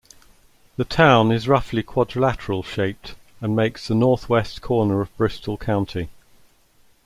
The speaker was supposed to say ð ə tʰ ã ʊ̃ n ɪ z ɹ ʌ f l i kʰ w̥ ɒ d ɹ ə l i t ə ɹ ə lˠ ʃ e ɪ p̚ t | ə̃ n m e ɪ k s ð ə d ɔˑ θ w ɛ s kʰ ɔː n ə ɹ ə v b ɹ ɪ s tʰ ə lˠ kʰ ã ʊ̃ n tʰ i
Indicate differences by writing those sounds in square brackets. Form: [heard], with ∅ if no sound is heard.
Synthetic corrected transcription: ð ə tʰ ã ʊ̃ n ɪ z ɹ ʌ f l i kʰ w̥ ɒ d ɹ ə l [a] t ə ɹ ə lˠ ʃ e ɪ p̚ t | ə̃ n m e ɪ k s ð ə [n] ɔˑ θ w ɛ s kʰ ɔː n ə ɹ ə v b ɹ ɪ s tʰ ə lˠ kʰ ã ʊ̃ n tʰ i